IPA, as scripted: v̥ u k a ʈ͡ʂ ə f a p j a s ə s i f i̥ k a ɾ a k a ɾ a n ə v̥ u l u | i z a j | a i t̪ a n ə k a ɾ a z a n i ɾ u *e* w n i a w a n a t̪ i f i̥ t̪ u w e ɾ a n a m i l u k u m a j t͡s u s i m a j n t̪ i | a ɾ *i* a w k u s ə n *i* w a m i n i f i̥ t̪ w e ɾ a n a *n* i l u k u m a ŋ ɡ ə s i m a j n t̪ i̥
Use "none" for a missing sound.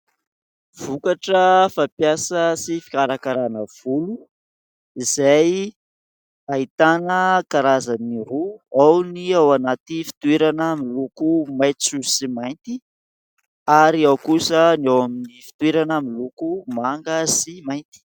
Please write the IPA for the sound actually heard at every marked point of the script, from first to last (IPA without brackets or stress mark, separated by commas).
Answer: a, i, a, m